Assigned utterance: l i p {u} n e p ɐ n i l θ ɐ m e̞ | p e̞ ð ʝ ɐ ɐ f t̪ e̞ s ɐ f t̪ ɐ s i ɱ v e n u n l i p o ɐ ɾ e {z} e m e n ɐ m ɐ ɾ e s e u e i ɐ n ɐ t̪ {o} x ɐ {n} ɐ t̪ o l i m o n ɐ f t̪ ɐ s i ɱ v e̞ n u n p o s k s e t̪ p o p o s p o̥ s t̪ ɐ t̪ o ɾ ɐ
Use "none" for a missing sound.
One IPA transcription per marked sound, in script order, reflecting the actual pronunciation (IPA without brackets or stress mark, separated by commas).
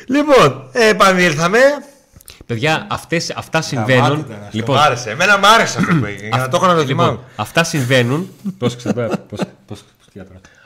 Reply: o, s, o, n